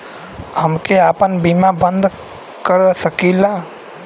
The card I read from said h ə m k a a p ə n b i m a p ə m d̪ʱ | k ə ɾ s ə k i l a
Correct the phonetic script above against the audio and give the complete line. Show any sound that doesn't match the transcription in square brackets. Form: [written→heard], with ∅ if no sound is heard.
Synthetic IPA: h ə m k [a→e] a p ə n b i m a [p→b] ə [m→n] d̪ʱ | k ə ɾ s ə k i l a

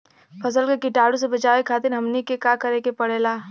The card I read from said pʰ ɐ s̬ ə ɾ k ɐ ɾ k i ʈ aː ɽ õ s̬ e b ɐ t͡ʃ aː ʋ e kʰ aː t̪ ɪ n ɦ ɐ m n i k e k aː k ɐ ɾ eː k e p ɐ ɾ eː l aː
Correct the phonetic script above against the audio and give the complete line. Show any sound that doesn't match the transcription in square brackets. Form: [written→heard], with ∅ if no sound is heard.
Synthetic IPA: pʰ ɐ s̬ ə [ɾ→l] k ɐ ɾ k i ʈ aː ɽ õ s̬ e b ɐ t͡ʃ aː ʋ e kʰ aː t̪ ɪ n ɦ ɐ m n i k e k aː k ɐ ɾ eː k e p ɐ [ɾ→ɽ] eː l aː

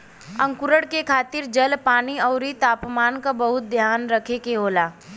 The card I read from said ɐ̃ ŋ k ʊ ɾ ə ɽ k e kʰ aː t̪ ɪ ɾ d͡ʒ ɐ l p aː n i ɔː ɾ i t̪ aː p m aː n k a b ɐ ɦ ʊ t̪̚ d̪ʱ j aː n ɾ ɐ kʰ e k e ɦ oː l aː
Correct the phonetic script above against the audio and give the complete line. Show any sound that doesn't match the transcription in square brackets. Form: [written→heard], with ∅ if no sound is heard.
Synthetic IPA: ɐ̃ ŋ k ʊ ɾ ə ɽ k e kʰ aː t̪ ɪ ɾ d͡ʒ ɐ l p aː n i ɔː ɾ i t̪ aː p m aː n k a b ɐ ɦ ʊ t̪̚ d̪ʱ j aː n ɾ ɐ kʰ e k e ɦ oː l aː

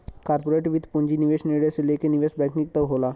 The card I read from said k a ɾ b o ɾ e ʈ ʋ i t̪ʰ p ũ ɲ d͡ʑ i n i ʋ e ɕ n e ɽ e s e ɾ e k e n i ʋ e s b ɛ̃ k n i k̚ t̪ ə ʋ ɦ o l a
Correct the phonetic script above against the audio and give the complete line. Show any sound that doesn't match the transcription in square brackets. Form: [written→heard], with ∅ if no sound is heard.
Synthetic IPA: k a ɾ [b→p] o ɾ e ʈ ʋ i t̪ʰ p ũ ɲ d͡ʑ i n i ʋ e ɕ n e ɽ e s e [ɾ→l] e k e n i ʋ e s b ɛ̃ k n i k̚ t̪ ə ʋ ɦ o l a

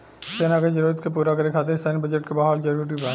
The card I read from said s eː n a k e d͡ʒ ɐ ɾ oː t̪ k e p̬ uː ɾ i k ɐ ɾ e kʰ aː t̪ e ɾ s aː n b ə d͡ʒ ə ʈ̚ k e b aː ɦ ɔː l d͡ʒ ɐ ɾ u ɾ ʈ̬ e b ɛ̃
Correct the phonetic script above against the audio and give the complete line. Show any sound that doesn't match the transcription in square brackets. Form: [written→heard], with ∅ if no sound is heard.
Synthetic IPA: s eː n a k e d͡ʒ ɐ ɾ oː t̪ k e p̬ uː ɾ [i→a] k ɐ ɾ e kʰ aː t̪ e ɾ s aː n b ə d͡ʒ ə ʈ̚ k e b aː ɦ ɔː l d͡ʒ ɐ ɾ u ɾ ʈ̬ [e→i] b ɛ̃

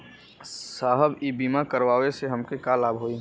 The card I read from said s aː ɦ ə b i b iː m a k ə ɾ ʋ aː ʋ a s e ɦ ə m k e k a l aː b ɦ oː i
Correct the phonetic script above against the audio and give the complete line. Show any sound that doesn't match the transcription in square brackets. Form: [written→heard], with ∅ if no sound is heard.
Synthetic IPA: s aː ɦ ə b i b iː m a k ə ɾ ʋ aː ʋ [a→e] s e ɦ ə m k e k a l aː b ɦ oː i

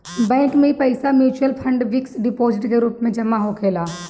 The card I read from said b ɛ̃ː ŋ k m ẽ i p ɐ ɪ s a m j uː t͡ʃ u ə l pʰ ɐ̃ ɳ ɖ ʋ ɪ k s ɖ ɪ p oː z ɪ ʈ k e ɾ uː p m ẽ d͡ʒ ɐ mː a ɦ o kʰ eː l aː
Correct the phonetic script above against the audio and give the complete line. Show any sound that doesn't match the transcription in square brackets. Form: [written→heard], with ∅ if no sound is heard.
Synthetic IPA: b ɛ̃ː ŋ k m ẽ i p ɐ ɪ s a m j uː t͡ʃ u ə l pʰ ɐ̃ ɳ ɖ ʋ ɪ k s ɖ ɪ p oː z ɪ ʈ k e ɾ uː p m ẽ d͡ʒ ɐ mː a ɦ o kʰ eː l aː

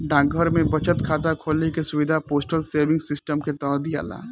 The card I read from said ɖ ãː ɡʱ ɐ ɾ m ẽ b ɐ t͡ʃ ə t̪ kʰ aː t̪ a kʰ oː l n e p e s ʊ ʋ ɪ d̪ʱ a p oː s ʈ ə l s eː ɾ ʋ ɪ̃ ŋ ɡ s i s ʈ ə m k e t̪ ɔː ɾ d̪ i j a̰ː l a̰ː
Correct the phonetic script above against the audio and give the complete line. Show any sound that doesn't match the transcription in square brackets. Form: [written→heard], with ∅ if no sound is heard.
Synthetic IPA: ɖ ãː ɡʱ [ɐ→ə] ɾ m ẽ b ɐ t͡ʃ ə t̪ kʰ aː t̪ a kʰ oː l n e [p→k] e s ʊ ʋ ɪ d̪ʱ a p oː s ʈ ə l s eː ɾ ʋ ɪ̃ ŋ ɡ s [i→ɪ] s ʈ ə m k e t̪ ɔː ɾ d̪ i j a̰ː l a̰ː

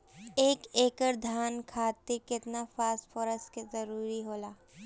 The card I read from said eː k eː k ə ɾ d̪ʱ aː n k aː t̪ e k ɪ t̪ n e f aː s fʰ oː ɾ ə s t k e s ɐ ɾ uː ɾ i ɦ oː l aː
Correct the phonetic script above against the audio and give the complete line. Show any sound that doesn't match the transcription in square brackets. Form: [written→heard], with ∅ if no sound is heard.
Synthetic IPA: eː k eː k ə ɾ d̪ʱ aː n [k→kʰ] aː t̪ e k ɪ t̪ n [e→a] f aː s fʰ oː ɾ ə s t k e [s→z] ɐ ɾ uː ɾ i ɦ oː l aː

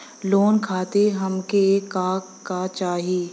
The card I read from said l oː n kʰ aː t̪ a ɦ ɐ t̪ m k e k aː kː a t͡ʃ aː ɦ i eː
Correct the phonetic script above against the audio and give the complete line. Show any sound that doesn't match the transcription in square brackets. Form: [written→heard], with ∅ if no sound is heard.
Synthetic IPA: l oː n kʰ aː t̪ [a→e] ɦ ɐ [t̪→∅] m k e k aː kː a t͡ʃ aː ɦ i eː

